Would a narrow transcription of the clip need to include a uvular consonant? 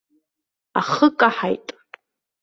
yes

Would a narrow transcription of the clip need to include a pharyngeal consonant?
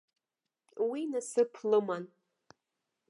no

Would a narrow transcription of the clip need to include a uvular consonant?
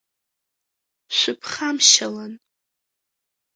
yes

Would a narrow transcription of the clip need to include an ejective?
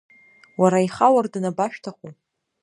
no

